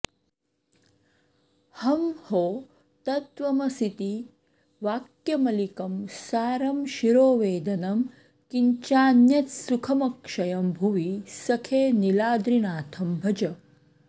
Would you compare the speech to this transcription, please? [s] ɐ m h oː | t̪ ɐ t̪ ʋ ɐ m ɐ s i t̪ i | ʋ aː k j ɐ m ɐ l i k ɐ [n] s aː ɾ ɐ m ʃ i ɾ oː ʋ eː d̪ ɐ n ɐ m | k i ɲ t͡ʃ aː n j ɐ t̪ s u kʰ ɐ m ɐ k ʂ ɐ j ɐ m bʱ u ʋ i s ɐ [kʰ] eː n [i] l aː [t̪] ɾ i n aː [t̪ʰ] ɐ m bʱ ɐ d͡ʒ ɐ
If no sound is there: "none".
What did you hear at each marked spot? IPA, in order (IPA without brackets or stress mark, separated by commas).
h, m, kʰ, i, d̪, t̪ʰ